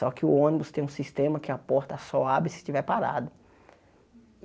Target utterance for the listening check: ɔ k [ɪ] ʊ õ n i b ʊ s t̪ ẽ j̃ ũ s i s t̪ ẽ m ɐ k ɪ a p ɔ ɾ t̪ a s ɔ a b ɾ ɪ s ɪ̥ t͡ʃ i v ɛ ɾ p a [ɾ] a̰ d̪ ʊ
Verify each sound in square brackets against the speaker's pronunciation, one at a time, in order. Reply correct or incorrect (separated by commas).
correct, correct